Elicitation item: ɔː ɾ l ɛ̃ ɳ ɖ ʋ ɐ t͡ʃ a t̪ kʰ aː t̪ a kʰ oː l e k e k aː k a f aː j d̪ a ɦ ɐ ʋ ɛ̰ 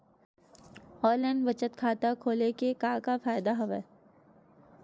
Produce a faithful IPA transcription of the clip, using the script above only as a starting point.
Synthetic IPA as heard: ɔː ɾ l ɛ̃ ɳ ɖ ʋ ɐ t͡ʃ ə t̪ kʰ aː t̪ a kʰ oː l e k e k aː k a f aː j d̪ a ɦ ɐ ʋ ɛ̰

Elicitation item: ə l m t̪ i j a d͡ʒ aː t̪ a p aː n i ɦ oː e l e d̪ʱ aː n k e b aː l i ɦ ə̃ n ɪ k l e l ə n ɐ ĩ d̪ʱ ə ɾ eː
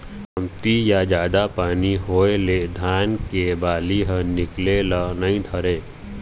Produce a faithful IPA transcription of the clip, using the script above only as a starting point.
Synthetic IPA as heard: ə m t̪ i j a d͡ʒ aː d̪ a p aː n i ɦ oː e l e d̪ʱ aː n k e b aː l i ɦ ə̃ n ɪ k l e l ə n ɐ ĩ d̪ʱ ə ɾ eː

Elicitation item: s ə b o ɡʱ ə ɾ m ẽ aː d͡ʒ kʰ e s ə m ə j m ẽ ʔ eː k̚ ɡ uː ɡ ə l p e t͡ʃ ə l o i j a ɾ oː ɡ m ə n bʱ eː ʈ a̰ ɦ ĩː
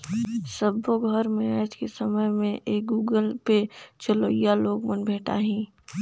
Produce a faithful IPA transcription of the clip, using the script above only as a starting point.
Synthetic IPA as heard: s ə b o ɡʱ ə ɾ m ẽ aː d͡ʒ k e s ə m ə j m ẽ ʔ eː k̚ ɡ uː ɡ ə l p e t͡ʃ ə l o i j a l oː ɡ m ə n bʱ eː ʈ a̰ ɦ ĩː

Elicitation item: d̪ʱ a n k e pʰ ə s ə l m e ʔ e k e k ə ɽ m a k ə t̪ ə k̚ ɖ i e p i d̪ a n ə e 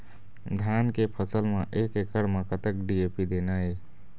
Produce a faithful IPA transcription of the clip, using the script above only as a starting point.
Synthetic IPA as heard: d̪ʱ a n k e pʰ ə s ə l m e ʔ e k e k ə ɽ m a k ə t̪ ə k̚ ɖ i e p i d̪ e n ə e

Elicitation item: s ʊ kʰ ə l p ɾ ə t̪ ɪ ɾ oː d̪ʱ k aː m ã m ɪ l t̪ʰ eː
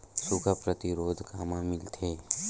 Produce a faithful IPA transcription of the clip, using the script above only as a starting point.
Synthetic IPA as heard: s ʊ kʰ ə p ɾ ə t̪ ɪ ɾ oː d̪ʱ k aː m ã m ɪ l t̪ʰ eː

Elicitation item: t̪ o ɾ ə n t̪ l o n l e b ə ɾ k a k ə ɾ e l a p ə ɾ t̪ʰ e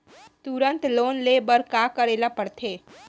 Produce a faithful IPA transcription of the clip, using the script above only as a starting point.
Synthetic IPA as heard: t̪ u ɾ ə n t̪ l o n l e b ə ɾ k a k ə ɾ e l a p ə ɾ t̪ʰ e

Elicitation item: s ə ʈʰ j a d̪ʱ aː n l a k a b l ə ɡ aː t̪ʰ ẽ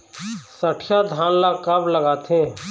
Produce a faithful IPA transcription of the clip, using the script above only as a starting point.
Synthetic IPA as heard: s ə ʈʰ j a d̪ʱ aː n l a k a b l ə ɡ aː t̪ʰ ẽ

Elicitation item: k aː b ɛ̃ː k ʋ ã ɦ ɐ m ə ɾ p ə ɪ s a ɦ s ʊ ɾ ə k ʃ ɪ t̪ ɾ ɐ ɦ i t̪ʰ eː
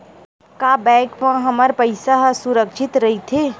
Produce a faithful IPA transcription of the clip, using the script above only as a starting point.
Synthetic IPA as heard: k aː b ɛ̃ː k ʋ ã ɦ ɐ m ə ɾ p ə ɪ s a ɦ s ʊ ɾ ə k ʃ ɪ t̪ ɾ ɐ ɦ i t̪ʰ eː

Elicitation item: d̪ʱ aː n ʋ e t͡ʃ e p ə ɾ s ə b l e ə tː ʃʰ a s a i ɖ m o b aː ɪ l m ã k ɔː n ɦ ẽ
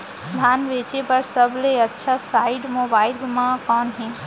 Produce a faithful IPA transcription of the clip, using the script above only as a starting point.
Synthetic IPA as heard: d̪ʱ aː n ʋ e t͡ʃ e p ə ɾ s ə b l e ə tː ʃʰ a s a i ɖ m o b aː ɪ l m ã k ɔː n ɦ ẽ

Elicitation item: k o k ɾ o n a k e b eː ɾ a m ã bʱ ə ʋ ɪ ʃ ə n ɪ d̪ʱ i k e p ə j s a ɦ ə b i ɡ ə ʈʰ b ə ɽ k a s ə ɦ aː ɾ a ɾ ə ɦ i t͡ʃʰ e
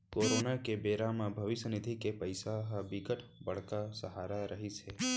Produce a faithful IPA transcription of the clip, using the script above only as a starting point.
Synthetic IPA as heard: k o ɾ o n a k e b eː ɾ a m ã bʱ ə ʋ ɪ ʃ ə n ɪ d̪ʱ i k e p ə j s a ɦ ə b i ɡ ə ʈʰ b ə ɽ k a s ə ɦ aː ɾ a ɾ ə ɦ i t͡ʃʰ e

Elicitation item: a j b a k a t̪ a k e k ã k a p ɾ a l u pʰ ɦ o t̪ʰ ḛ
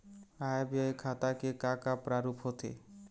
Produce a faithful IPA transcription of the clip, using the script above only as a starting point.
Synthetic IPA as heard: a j b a kʰ a t̪ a k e k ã k a p ɾ a ɾ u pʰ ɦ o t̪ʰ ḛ

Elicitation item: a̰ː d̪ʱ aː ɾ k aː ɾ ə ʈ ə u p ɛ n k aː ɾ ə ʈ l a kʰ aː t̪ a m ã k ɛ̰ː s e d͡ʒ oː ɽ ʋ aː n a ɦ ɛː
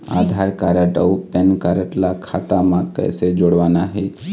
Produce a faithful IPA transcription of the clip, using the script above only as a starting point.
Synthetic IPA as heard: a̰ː d̪ʱ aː ɾ k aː ɾ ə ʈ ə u p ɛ n k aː ɾ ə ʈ l a kʰ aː t̪ a m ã k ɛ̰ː s e d͡ʒ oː ɽ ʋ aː n a ɦ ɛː

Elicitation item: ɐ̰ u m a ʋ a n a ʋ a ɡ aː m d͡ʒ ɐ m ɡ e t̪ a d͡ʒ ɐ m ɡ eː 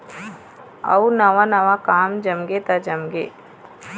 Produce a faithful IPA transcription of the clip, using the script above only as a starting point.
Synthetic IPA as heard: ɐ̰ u n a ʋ a n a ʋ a k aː m d͡ʒ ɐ m ɡ e t̪ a d͡ʒ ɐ m ɡ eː

